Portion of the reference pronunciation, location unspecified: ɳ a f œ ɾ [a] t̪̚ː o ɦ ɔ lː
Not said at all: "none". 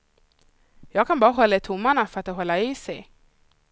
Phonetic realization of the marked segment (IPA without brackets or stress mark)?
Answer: a